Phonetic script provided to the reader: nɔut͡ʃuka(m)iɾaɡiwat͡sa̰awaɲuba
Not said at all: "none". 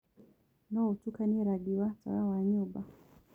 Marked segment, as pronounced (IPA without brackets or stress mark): n